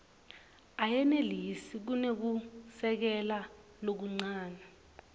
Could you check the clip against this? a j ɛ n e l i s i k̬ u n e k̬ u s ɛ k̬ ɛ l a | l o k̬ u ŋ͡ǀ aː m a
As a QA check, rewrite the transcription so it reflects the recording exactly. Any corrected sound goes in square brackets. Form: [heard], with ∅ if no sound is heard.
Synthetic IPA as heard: a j ɛ n e l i s i k̬ u n e k̬ u s ɛ k̬ ɛ l a | l o k̬ u ŋ͡ǀ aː [n] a